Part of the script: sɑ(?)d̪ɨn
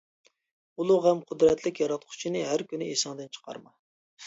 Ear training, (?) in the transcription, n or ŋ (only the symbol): ŋ